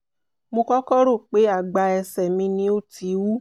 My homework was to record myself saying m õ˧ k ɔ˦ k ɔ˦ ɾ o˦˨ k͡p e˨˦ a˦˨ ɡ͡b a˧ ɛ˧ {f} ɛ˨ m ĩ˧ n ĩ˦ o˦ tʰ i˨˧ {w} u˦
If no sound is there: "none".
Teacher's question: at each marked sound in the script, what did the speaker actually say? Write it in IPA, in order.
s, w

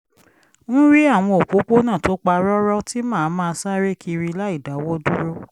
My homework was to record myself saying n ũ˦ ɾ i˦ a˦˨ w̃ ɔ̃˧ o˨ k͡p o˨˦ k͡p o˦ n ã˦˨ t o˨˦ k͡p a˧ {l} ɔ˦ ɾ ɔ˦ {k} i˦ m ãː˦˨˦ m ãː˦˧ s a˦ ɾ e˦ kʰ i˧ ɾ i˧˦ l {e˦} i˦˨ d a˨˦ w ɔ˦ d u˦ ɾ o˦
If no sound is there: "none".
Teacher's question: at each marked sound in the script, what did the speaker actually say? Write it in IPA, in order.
ɾ, t, a˦

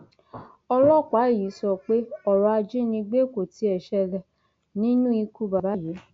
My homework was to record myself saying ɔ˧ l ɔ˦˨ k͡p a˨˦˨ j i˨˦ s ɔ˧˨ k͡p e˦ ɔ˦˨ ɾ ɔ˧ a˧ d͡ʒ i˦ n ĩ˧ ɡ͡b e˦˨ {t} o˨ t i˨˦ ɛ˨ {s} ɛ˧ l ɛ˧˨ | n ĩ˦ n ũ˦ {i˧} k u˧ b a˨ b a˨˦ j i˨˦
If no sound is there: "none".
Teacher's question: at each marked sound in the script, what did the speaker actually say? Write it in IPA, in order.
k, ʃ, i˧

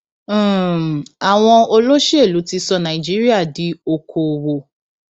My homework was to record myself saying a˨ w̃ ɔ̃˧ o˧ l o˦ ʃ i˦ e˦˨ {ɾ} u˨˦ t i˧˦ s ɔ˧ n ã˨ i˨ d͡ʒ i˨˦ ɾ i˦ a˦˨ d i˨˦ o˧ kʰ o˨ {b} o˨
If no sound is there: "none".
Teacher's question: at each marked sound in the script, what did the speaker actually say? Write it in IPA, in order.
l, w

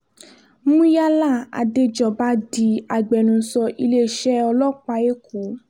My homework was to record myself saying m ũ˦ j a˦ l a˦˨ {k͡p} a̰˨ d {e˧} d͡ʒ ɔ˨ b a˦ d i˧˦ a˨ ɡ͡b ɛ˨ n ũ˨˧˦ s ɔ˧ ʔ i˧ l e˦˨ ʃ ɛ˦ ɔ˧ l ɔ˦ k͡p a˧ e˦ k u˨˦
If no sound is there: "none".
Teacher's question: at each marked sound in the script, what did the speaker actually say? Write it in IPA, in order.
none, e˧

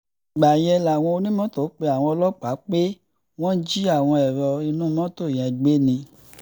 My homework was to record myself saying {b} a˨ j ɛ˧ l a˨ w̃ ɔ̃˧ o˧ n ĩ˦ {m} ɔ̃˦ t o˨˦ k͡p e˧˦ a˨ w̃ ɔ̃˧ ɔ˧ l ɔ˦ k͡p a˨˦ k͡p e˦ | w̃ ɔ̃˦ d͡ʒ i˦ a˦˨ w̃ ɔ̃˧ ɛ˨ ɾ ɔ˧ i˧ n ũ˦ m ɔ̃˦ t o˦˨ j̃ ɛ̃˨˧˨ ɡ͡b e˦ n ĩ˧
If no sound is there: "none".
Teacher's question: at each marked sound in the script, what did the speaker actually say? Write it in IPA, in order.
ɡ͡b, m

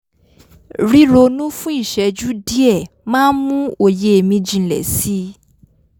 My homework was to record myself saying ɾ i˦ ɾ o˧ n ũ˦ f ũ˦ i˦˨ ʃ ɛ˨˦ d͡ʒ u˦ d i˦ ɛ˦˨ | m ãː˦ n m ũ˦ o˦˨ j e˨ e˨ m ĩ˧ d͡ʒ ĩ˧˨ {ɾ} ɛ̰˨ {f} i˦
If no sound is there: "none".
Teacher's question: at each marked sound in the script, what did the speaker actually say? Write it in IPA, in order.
l, s

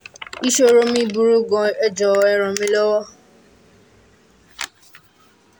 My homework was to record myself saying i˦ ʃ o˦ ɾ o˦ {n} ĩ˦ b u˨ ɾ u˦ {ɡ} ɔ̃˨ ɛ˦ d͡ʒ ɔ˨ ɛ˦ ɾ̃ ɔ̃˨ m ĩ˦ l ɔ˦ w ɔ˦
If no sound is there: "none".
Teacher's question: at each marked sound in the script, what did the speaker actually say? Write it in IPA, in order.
m, ɡ

